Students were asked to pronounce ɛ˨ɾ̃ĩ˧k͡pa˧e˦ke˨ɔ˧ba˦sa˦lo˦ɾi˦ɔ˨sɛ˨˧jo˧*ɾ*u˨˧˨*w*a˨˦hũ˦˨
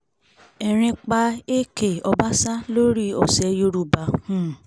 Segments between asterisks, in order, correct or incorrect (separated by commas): correct, incorrect